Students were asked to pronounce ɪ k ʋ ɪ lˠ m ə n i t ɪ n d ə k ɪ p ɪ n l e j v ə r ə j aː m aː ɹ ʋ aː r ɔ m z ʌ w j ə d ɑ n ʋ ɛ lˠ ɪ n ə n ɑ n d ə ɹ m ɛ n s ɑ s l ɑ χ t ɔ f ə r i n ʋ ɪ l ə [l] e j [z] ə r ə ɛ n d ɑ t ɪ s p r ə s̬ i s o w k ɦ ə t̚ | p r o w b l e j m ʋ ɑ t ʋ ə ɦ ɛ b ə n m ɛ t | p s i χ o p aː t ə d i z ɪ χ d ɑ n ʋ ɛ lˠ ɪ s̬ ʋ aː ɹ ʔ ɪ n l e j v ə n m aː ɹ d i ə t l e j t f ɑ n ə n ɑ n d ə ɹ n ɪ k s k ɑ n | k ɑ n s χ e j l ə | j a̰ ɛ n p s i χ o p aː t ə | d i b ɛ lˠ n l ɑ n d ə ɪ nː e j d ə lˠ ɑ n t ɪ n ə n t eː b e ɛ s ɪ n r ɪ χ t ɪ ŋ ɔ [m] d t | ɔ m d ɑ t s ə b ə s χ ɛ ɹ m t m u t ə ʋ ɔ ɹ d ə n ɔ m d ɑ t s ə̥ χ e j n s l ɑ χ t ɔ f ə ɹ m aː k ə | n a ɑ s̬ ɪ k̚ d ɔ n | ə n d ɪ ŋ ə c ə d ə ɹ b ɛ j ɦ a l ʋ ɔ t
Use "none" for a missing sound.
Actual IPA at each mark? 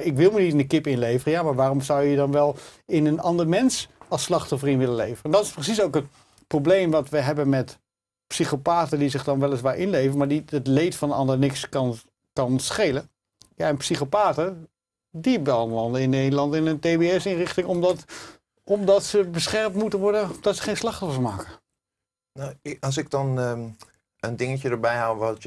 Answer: l, v, m

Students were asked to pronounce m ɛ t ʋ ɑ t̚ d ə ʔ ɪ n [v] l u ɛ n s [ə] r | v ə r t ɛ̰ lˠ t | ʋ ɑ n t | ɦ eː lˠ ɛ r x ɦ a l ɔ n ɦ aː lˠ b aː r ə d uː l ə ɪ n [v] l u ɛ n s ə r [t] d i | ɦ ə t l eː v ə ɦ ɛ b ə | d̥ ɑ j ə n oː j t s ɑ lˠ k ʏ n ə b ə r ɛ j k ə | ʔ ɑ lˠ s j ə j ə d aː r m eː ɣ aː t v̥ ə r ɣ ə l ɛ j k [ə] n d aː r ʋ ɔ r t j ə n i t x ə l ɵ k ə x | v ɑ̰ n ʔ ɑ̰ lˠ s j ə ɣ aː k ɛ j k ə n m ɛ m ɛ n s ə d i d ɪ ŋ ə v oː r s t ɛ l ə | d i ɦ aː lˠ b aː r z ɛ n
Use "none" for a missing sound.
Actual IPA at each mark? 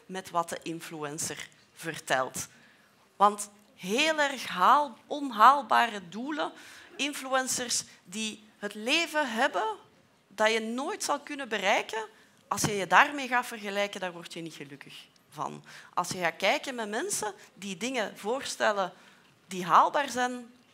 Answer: f, ə, f, s, ə

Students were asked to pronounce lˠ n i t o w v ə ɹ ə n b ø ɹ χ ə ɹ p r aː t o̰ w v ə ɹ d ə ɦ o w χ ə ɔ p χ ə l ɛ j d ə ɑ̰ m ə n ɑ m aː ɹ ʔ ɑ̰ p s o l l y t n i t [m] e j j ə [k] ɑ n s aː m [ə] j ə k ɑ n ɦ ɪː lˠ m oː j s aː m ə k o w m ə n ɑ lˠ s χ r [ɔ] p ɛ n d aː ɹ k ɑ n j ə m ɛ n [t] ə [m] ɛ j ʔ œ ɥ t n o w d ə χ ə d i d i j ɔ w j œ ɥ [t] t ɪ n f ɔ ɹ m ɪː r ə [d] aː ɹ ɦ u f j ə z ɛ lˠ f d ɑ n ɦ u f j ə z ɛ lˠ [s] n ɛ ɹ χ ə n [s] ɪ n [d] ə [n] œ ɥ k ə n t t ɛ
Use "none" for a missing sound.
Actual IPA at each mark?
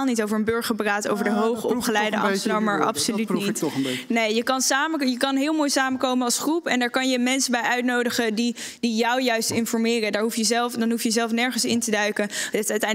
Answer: n, k, ə, u, s, b, s, d, f, s, t, d

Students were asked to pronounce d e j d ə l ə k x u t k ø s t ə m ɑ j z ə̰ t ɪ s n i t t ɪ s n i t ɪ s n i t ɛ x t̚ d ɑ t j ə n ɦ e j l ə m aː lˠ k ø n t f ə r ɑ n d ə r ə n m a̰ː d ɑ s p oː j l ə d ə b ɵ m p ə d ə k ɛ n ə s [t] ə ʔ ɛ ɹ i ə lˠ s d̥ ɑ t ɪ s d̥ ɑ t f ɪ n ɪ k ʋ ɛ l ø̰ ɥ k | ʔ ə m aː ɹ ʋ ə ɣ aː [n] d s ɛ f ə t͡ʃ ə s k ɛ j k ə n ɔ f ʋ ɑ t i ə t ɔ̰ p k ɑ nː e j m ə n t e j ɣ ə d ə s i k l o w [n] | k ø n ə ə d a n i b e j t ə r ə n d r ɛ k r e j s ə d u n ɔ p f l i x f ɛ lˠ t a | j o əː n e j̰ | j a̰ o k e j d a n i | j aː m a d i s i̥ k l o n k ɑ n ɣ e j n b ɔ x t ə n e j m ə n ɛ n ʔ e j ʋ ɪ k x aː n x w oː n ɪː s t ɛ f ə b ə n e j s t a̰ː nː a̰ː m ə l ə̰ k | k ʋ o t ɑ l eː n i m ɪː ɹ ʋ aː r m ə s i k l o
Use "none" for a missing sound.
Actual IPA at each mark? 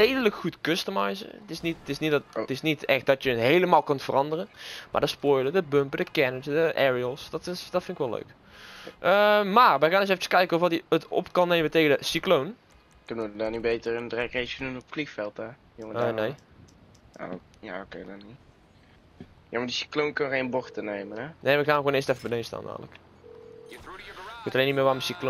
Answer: d, n, n

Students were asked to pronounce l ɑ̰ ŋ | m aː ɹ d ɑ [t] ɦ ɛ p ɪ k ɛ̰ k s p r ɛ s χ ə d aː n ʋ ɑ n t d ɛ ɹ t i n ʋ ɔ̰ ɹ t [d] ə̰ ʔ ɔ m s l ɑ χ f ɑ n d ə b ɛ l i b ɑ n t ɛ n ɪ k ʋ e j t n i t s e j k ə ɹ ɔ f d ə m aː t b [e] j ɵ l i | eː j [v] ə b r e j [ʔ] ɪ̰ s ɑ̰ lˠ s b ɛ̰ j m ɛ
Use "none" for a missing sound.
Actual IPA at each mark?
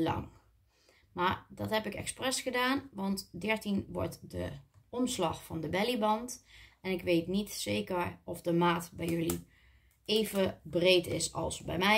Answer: t, d, ɛ, v, t

